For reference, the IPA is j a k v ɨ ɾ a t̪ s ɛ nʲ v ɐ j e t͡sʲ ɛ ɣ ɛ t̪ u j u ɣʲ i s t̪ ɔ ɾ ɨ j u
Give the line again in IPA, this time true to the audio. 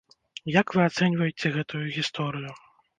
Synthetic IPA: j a k v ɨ a t̪ s ɛ nʲ v ɐ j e t͡sʲ ɛ ɣ ɛ t̪ u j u ɣʲ i s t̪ ɔ ɾ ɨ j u